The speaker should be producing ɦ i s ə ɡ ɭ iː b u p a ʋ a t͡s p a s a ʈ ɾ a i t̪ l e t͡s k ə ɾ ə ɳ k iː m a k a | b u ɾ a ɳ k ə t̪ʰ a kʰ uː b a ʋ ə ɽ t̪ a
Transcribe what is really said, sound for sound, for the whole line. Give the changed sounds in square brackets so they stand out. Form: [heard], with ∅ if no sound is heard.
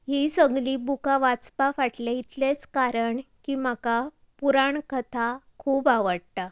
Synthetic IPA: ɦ i s ə ɡ [l] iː b u [k] a ʋ a t͡s p a [f] a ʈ [l] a i t̪ l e t͡s k [a] ɾ ə ɳ k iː m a k a | [p] u ɾ a ɳ k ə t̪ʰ a kʰ uː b a ʋ ə ɽ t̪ a